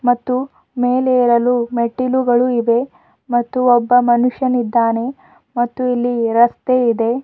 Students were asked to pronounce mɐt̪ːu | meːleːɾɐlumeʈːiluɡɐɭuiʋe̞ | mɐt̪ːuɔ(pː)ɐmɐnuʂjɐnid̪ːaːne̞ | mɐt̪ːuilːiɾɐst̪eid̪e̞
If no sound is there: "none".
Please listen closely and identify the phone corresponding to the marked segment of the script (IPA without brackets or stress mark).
bː